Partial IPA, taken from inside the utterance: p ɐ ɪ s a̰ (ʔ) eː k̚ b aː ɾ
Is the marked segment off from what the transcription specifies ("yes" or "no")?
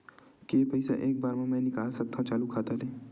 no